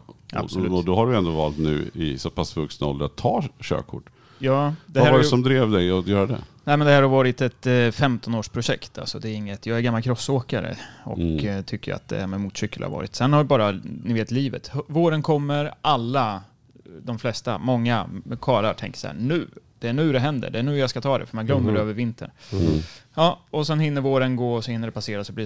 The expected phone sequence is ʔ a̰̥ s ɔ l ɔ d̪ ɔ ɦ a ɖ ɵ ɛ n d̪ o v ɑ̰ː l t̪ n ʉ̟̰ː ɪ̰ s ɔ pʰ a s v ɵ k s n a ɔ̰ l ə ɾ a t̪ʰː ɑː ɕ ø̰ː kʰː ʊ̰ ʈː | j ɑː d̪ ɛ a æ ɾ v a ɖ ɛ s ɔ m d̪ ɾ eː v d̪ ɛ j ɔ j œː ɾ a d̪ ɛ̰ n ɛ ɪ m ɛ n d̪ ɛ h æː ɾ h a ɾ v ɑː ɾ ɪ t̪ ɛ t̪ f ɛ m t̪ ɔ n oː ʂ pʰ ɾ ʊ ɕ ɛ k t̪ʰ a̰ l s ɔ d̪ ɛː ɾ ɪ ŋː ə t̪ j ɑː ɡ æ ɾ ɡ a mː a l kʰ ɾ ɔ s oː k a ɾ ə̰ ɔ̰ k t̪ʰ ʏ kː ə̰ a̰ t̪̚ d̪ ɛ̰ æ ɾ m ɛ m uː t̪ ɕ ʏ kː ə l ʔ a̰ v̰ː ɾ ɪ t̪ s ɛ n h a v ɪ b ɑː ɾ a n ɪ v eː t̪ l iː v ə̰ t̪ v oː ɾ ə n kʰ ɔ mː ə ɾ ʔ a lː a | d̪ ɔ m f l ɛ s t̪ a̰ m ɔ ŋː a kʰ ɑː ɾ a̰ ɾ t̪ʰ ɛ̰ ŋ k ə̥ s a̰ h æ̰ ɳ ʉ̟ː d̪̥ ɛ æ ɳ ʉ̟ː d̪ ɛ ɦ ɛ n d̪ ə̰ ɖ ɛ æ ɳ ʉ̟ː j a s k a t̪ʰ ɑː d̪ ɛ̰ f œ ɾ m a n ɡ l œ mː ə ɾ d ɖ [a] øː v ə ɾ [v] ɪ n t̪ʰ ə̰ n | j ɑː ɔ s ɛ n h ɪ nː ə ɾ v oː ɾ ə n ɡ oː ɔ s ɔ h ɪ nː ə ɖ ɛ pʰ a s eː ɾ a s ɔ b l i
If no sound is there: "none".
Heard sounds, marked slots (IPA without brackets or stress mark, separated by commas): ɛ, v